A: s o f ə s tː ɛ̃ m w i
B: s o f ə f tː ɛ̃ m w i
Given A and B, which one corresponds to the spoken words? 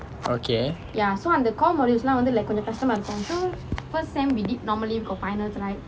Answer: A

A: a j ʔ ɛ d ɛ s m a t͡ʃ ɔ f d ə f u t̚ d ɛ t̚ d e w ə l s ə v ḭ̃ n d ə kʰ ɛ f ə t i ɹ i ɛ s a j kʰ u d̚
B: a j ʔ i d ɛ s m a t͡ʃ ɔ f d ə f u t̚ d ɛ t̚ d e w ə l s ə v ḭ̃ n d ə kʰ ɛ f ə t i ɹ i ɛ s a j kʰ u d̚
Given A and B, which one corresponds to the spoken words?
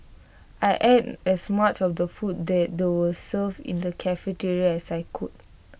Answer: A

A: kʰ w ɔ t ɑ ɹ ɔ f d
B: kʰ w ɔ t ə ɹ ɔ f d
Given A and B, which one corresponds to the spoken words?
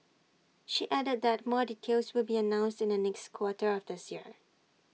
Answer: B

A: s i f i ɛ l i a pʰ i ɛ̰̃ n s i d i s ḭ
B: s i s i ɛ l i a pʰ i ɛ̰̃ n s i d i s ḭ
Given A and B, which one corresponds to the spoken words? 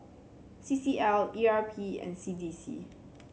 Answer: B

